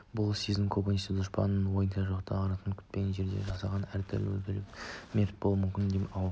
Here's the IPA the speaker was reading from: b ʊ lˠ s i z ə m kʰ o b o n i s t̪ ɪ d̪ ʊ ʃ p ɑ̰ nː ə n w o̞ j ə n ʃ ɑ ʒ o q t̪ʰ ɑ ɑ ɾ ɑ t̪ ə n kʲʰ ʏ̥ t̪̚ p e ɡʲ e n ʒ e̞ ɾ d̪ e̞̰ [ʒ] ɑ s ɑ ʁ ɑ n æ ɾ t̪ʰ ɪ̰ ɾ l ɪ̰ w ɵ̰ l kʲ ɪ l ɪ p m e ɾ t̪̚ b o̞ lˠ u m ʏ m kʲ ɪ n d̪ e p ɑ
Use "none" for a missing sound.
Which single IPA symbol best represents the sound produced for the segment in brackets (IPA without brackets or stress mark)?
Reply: ʒ